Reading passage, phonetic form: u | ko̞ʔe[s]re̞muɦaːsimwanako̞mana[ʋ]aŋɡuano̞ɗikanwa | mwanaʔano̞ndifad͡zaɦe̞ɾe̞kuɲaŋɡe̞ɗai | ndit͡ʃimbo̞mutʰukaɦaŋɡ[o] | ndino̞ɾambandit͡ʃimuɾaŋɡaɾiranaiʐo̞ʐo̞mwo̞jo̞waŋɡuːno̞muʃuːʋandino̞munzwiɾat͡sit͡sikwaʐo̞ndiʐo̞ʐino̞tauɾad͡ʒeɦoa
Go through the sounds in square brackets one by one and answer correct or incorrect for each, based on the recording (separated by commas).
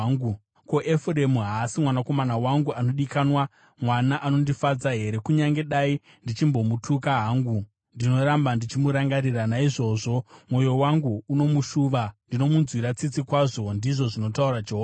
incorrect, incorrect, incorrect